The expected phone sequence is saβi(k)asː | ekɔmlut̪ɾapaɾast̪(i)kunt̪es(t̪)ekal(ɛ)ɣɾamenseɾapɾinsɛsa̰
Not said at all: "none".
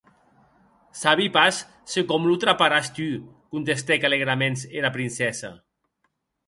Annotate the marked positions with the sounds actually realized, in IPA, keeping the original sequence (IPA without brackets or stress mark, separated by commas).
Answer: p, y, t̪, e